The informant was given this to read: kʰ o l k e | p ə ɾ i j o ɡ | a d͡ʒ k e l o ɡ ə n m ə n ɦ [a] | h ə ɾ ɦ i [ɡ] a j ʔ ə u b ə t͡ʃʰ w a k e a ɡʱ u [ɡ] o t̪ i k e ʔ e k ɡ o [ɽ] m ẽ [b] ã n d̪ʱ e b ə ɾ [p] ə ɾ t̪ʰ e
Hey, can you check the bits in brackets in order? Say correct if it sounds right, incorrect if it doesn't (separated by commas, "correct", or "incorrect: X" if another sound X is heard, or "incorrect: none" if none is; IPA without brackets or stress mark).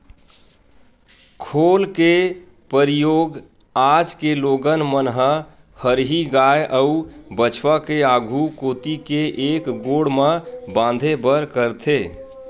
incorrect: ə, correct, incorrect: k, correct, correct, incorrect: k